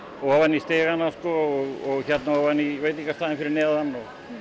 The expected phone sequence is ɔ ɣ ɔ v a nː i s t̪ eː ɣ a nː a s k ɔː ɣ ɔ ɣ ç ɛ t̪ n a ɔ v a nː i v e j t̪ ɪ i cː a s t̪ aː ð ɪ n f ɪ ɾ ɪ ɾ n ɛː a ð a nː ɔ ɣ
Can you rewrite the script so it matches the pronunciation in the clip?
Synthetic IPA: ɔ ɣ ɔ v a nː i s t̪ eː ɣ a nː a s k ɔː ɣ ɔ ɣ ç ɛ t̪ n a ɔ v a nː i v e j t̪ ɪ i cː a s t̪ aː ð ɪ n f ɪ ɾ ɪ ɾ n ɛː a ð a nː ɔ ɣ